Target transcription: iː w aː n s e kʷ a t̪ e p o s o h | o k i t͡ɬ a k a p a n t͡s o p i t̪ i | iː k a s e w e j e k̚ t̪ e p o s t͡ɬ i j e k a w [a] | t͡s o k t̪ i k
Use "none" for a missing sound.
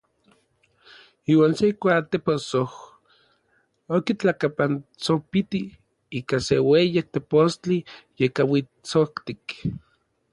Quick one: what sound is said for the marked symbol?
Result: i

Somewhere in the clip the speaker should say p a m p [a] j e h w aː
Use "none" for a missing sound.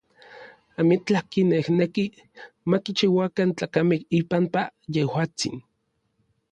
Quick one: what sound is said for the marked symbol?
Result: a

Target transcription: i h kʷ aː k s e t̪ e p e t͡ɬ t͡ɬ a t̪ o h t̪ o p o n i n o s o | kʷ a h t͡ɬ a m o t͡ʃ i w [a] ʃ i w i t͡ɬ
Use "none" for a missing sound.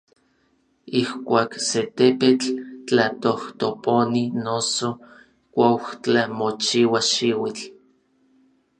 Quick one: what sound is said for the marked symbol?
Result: a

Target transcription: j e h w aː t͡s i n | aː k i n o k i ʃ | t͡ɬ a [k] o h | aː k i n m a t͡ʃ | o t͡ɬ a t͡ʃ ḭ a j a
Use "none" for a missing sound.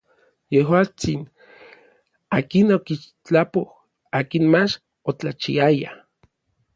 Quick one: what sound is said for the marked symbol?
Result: p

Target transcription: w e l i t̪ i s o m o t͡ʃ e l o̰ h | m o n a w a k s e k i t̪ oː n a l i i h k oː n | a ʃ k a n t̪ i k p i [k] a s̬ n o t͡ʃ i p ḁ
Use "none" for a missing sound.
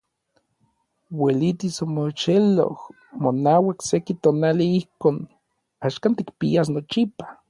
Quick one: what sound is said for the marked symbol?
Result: none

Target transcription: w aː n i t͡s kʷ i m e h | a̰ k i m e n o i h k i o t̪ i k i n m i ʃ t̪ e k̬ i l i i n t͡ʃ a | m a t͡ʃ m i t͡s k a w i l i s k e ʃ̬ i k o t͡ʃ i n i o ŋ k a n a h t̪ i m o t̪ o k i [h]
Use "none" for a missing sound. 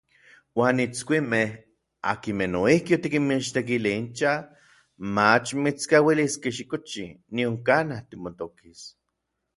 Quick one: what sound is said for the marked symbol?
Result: s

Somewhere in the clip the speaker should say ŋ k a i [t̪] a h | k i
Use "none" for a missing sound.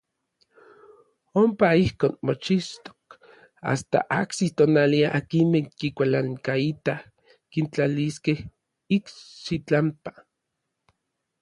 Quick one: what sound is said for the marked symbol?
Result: t̪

